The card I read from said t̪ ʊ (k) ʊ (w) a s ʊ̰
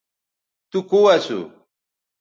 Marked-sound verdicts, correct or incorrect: correct, correct

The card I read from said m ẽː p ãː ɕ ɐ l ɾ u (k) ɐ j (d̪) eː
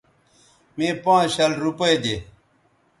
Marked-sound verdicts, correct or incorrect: incorrect: p, correct

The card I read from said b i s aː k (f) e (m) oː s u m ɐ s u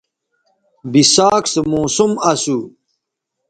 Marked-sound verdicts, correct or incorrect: incorrect: s, correct

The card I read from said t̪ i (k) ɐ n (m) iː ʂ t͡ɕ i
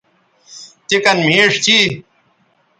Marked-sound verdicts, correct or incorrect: correct, correct

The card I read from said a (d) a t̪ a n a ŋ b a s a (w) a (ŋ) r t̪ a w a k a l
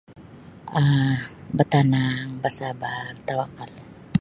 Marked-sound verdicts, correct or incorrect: incorrect: b, incorrect: b, incorrect: none

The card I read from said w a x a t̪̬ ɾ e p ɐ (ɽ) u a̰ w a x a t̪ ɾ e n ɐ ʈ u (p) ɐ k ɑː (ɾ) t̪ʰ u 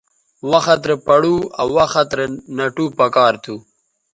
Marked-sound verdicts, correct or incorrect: correct, correct, correct

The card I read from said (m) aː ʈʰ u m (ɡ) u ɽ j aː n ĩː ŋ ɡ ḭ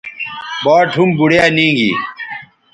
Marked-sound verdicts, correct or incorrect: incorrect: b, incorrect: b

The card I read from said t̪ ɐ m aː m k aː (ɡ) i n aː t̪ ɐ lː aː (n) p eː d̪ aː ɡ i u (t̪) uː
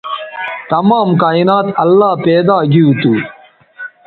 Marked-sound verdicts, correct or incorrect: incorrect: none, incorrect: none, correct

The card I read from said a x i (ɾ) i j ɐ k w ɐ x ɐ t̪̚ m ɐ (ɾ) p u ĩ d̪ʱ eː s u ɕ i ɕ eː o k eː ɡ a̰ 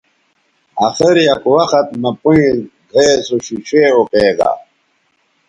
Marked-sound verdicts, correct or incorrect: correct, incorrect: none

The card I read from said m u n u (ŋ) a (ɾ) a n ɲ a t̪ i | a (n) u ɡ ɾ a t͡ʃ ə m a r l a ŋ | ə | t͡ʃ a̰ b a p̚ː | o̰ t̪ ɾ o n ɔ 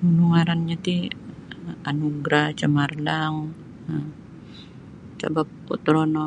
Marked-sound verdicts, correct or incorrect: correct, correct, correct

